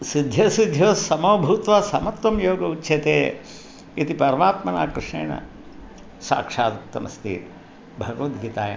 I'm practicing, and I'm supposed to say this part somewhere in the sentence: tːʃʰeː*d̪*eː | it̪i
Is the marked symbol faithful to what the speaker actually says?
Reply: no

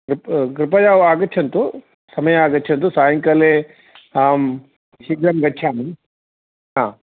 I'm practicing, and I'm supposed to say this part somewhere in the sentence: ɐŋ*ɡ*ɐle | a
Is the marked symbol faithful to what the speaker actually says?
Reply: no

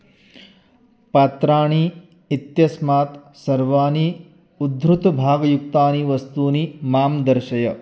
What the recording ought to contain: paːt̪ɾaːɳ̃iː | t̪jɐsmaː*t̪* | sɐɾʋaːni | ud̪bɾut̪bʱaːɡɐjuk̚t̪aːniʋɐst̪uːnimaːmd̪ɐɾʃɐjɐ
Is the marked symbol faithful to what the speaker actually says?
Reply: yes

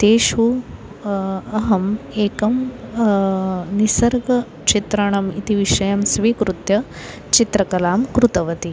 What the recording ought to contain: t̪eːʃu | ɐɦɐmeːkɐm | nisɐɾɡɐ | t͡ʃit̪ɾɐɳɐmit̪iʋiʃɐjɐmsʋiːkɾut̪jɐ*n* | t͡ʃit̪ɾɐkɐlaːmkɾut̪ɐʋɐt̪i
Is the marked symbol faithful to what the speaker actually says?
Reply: no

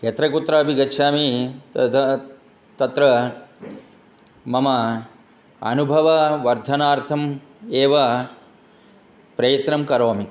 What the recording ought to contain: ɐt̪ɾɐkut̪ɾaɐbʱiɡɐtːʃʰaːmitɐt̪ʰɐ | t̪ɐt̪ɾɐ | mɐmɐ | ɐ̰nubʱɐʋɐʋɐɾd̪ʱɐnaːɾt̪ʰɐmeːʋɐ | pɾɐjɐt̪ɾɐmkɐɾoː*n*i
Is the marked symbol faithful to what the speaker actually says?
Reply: no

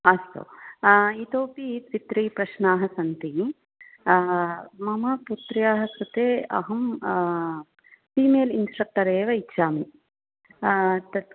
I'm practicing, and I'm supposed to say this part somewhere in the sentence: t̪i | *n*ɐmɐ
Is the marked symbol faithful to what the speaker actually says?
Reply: no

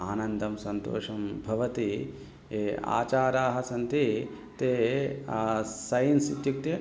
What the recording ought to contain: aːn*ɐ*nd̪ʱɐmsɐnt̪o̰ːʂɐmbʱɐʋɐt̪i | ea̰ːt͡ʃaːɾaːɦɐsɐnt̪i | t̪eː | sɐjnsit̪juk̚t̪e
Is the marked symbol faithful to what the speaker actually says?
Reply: yes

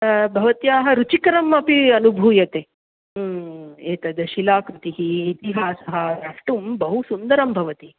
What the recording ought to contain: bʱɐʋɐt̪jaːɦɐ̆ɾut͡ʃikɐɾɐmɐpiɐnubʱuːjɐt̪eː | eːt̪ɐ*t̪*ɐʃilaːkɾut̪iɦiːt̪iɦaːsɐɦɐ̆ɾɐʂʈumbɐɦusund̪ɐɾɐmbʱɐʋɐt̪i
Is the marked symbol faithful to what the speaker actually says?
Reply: no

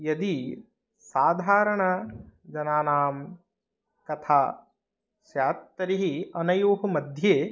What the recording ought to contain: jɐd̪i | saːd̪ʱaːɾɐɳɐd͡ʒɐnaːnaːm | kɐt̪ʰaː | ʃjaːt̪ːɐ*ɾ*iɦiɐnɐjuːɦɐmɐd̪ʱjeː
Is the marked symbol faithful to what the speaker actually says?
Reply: yes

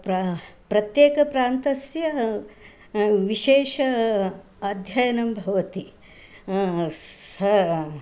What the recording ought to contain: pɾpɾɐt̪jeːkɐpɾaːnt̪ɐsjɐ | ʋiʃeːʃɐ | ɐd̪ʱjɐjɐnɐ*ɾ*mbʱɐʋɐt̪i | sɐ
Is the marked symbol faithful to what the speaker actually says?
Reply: no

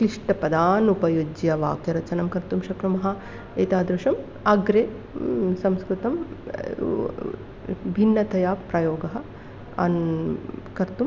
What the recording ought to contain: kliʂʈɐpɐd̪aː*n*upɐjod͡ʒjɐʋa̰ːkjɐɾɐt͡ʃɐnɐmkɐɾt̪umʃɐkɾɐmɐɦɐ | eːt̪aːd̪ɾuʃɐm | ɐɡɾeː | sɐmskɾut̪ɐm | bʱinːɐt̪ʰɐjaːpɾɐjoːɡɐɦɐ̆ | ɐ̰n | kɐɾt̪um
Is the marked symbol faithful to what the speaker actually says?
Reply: yes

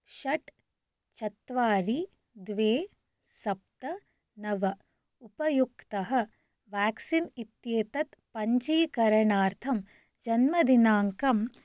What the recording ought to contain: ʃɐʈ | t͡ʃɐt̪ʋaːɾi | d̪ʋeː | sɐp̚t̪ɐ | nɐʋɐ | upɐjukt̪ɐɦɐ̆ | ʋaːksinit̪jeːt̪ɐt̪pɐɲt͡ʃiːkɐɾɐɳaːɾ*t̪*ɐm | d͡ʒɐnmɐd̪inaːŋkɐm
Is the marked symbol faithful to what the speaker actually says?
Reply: no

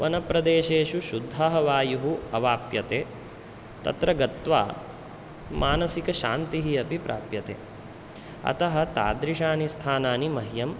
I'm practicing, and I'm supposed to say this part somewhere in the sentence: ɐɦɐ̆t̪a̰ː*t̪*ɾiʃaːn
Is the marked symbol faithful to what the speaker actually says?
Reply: no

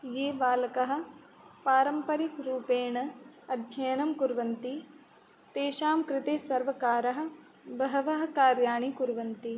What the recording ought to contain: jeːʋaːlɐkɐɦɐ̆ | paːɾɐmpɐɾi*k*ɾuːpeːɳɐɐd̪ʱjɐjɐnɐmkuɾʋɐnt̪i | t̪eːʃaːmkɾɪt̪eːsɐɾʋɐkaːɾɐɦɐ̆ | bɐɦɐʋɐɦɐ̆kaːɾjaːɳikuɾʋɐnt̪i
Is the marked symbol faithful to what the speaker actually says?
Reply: yes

